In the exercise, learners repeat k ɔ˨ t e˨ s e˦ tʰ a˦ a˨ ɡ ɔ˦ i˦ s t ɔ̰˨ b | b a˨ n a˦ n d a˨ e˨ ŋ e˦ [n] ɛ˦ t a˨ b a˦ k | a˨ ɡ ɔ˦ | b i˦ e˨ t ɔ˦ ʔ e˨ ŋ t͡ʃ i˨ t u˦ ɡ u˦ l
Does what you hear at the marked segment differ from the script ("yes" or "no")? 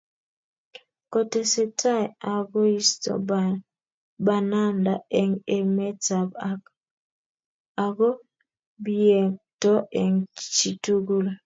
yes